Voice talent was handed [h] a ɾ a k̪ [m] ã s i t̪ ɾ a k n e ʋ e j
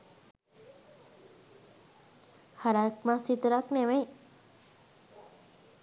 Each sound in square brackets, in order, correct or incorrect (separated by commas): correct, correct